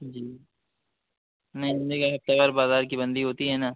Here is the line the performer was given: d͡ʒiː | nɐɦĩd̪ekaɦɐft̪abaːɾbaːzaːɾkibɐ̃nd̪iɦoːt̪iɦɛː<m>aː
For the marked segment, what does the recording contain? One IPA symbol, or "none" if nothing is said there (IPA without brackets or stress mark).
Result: n